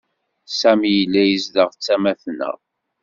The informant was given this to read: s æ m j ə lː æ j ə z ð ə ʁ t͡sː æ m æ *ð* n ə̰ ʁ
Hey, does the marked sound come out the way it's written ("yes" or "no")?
no